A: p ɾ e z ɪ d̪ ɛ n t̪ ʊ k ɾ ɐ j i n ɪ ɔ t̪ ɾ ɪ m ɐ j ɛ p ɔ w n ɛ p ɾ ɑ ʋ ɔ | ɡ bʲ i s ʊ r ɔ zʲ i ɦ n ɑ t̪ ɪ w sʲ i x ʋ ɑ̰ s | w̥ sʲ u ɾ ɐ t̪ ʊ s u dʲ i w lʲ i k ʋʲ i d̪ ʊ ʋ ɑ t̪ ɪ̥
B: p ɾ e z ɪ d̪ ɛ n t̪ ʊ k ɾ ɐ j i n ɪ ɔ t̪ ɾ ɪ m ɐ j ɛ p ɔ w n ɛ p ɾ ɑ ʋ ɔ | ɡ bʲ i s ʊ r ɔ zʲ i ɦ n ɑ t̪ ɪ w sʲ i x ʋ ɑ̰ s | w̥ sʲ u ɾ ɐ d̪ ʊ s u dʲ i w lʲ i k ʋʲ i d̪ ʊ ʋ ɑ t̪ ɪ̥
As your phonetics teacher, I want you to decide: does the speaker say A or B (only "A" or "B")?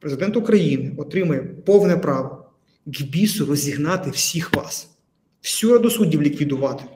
B